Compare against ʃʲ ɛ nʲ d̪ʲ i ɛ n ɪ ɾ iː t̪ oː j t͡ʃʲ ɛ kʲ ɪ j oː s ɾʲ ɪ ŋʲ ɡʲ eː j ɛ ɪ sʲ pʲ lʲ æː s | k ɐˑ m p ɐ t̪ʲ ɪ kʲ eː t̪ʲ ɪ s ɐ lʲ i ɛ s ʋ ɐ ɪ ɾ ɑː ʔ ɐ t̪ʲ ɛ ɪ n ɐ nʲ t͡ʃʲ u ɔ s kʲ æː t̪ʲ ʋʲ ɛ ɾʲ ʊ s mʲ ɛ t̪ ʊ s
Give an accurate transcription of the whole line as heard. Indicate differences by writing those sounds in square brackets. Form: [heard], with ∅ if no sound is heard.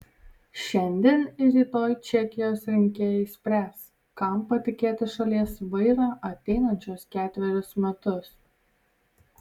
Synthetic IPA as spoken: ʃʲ ɛ nʲ d̪ʲ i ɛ n ɪ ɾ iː t̪ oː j t͡ʃʲ ɛ kʲ ɪ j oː s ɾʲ ɪ ŋʲ [kʲ] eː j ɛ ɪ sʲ pʲ [ɾʲ] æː s | k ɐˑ m p ɐ t̪ʲ ɪ kʲ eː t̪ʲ ɪ [ʃ] ɐ lʲ i ɛ s ʋ ɐ ɪ ɾ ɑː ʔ ɐ t̪ʲ ɛ ɪ n ɐ nʲ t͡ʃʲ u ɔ s kʲ æː t̪ʲ ʋʲ ɛ ɾʲ ʊ s mʲ ɛ t̪ ʊ s